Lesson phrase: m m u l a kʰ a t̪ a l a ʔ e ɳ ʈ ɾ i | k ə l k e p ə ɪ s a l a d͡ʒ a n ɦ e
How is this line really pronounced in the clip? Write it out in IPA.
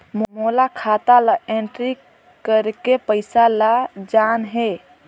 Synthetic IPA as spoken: m m o l a kʰ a t̪ a l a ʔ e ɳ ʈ ɾ i | k ə ɾ k e p ə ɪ s a l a d͡ʒ a n ɦ e